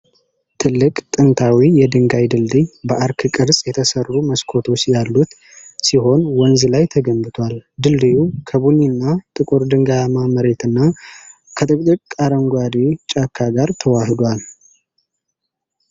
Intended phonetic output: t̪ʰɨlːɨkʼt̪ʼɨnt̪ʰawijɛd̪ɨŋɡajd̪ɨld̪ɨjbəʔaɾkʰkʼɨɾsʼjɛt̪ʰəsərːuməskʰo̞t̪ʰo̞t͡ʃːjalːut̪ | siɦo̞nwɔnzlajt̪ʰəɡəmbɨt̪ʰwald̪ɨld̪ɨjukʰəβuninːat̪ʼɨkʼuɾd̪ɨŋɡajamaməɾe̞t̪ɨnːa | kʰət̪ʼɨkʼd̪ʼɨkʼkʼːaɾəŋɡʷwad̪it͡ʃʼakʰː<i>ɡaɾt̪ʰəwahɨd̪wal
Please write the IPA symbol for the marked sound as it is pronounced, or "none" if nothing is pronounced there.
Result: a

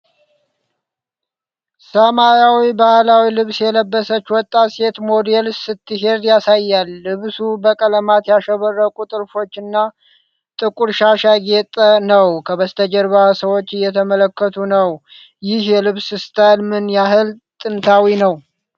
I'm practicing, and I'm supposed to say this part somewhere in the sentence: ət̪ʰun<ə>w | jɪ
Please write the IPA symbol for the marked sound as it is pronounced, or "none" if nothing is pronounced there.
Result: ə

